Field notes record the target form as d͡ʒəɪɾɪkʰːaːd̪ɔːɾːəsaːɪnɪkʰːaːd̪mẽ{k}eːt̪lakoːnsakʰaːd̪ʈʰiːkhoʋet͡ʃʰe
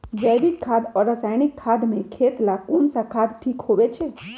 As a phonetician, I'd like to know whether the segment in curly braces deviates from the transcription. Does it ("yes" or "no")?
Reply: yes